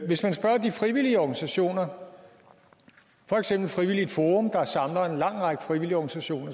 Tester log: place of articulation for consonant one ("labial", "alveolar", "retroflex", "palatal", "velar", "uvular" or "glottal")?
labial